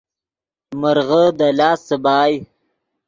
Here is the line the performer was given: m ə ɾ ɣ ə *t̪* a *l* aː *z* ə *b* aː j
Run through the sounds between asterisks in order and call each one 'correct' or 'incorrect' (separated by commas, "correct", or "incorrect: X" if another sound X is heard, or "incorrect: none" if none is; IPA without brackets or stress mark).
incorrect: d̪, correct, incorrect: s, correct